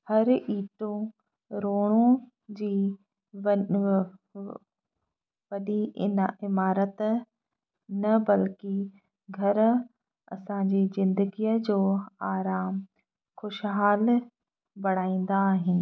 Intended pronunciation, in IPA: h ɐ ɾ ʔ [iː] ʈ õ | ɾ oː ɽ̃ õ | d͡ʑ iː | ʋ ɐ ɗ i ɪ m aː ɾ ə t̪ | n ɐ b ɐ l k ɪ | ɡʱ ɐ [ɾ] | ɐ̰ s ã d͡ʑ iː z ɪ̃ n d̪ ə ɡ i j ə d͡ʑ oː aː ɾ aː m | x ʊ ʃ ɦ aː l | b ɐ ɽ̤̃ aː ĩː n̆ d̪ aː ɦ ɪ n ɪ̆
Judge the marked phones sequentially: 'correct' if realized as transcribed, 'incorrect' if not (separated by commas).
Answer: correct, correct